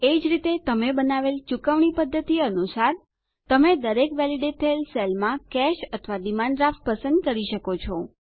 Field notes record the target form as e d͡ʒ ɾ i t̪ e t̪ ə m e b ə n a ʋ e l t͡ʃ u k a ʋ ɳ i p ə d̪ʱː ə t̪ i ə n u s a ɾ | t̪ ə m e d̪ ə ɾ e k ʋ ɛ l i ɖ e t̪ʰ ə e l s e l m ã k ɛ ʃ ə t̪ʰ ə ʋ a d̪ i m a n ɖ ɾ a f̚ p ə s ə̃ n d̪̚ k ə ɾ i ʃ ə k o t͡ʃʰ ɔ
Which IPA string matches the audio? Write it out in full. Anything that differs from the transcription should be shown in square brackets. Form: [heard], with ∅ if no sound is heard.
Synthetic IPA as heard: e d͡ʒ ɾ i t̪ e t̪ ə m e b ə n a ʋ e l t͡ʃ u k [ə] ʋ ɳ i p ə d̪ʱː ə t̪ i ə n u s a ɾ | t̪ ə m e d̪ ə ɾ e k ʋ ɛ l i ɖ e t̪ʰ ə e l s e l m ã k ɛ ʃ ə t̪ʰ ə ʋ a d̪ i m a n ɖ ɾ a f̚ p ə s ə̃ n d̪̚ k ə ɾ i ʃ ə k o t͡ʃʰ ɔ